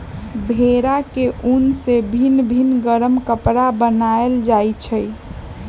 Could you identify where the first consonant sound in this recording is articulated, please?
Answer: labial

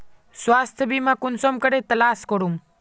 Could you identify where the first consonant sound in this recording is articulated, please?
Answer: alveolar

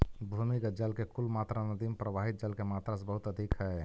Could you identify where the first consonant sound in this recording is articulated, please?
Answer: labial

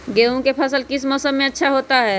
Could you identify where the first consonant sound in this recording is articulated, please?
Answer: velar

